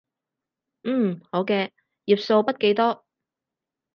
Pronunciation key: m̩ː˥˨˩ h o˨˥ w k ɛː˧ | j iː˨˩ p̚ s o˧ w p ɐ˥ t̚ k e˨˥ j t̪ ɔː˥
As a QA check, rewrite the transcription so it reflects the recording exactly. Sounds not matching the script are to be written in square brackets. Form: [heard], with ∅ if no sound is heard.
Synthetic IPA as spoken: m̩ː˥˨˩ h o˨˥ w k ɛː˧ | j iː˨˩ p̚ s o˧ w p ɐ˥ t̚ k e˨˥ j t̪ ɔː˥